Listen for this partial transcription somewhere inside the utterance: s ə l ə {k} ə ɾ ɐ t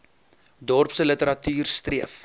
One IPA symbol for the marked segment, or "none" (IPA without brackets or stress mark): t